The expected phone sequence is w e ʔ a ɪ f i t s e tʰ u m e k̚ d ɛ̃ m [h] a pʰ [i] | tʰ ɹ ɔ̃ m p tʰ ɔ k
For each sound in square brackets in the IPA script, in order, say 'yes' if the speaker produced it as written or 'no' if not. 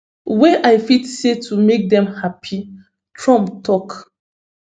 yes, yes

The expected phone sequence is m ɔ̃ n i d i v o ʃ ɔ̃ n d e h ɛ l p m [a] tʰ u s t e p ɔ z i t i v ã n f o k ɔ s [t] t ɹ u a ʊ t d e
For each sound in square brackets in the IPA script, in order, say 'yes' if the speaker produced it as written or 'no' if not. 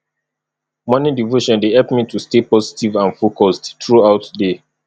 no, yes

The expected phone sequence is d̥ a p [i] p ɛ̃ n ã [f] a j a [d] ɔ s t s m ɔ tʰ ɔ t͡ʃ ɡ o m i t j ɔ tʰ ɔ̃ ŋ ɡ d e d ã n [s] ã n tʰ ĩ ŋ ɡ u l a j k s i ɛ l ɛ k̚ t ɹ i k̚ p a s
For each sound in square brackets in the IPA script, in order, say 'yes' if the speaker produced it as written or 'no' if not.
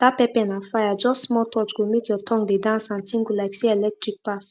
no, yes, no, yes

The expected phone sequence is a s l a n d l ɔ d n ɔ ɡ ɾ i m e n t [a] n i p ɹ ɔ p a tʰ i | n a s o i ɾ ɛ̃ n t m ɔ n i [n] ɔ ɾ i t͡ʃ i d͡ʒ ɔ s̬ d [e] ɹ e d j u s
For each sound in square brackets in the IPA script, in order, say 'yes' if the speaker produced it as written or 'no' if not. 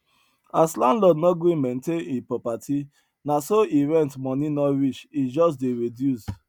no, yes, yes

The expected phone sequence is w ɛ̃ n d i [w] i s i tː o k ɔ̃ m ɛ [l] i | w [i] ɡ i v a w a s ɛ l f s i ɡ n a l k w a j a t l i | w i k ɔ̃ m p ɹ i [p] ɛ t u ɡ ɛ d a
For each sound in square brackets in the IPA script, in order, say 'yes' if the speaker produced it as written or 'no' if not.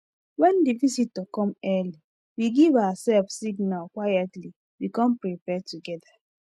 no, yes, yes, yes

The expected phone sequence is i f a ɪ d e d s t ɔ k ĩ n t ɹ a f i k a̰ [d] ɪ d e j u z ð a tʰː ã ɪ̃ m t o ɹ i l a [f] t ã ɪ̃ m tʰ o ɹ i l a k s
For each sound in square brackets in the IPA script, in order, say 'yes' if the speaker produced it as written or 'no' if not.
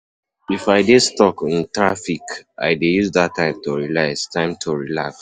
no, no

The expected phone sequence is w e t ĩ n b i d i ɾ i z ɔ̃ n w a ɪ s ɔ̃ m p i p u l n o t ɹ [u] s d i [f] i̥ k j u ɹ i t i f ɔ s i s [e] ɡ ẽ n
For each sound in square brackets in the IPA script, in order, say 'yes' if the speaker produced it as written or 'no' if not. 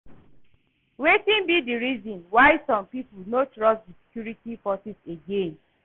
no, no, yes

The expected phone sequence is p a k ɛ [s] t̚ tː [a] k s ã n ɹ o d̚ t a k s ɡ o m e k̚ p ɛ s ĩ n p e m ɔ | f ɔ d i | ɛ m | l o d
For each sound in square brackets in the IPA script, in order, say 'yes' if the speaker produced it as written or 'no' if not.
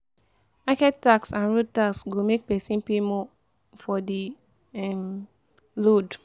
no, yes

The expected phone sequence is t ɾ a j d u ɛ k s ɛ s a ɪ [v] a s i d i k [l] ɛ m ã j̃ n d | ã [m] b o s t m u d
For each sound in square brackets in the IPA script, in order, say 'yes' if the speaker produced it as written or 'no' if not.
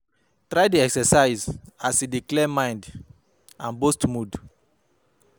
no, yes, no

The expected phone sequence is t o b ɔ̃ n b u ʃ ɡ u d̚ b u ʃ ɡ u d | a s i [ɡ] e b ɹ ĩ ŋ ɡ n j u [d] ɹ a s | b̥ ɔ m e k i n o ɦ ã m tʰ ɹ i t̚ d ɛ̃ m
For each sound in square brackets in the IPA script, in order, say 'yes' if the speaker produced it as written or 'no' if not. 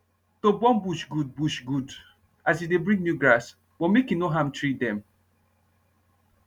no, no

